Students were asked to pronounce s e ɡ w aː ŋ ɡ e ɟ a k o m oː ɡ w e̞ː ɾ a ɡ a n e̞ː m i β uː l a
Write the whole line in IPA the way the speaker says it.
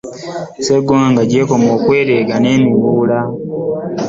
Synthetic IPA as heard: s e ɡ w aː ŋ ɡ a ɟ e k o m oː k w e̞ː ɾ e ɡ a n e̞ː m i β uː l a